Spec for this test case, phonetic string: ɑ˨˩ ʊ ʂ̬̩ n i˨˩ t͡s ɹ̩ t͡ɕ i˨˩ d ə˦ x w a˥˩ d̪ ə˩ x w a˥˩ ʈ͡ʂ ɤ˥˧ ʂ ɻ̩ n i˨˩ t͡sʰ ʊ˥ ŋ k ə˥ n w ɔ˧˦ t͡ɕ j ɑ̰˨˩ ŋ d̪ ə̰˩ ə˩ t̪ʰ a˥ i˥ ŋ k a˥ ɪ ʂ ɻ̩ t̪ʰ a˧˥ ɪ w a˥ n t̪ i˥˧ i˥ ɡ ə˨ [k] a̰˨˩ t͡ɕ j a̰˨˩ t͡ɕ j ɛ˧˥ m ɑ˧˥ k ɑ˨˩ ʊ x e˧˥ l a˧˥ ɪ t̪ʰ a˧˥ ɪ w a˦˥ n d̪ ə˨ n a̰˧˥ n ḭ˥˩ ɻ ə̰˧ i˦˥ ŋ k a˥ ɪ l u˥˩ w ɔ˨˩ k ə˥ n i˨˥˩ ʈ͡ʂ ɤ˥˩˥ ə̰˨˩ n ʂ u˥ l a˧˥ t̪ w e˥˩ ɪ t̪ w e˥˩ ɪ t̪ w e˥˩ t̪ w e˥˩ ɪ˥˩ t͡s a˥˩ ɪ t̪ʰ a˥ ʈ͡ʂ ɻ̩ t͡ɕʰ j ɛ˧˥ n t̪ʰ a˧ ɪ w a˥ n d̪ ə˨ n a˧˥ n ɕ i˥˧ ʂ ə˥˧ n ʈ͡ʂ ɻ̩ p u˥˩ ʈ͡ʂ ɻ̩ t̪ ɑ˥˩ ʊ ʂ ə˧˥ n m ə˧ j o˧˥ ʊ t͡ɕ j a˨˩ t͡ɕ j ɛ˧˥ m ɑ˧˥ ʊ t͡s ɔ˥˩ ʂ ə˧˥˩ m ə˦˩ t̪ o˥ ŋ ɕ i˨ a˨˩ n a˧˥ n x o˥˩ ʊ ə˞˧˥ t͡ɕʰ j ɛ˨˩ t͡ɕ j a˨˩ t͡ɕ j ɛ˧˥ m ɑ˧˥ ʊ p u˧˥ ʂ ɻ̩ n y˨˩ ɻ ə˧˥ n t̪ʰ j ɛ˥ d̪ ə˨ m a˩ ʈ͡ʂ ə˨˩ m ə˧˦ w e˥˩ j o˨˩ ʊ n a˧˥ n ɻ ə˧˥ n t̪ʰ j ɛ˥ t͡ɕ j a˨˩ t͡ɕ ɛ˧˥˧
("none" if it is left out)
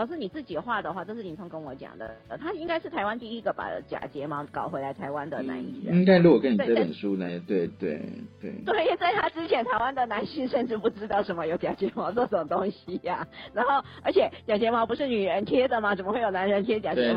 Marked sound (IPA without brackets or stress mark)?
p